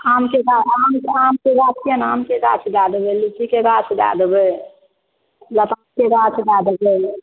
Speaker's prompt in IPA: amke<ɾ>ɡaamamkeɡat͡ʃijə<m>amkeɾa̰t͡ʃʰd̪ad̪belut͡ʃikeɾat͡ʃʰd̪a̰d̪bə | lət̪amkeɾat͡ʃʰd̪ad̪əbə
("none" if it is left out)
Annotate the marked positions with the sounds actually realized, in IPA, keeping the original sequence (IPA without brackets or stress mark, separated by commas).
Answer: none, n